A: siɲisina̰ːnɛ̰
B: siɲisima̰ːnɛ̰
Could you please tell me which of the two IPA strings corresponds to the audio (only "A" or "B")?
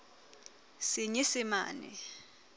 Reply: B